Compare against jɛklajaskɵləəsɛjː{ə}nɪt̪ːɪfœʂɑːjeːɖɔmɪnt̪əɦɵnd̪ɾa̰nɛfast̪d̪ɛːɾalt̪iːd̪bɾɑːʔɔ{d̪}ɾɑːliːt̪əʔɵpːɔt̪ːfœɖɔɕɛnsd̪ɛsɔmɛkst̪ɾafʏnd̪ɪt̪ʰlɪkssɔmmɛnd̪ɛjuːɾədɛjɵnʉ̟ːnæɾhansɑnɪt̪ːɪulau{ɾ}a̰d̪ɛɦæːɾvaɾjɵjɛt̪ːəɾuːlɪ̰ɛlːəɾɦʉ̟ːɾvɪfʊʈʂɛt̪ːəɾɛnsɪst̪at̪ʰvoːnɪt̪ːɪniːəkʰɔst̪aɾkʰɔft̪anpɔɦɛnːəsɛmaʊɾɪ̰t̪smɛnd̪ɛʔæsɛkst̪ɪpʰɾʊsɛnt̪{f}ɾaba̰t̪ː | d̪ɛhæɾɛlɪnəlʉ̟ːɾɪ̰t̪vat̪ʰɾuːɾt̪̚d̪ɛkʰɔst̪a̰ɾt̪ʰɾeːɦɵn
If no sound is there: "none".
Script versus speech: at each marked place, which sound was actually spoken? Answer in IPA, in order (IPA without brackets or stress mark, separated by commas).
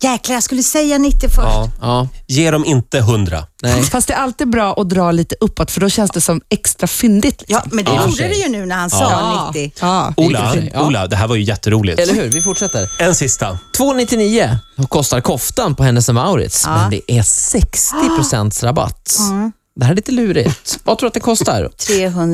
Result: a, d̪, l, s